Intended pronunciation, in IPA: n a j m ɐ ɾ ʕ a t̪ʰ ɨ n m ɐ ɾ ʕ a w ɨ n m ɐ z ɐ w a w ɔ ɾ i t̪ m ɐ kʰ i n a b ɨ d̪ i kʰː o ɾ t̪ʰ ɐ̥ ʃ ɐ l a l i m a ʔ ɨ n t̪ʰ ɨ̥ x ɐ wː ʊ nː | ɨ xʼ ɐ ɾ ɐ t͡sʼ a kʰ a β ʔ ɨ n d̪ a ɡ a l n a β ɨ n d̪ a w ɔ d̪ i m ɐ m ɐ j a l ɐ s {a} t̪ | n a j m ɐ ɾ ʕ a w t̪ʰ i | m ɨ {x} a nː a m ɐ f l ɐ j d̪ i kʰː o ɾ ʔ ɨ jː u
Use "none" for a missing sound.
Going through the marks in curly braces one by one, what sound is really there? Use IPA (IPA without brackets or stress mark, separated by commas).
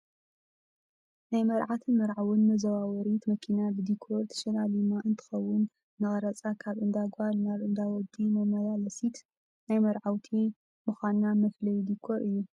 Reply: i, x